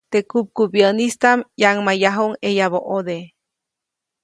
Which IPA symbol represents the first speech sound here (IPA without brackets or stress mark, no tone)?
t̪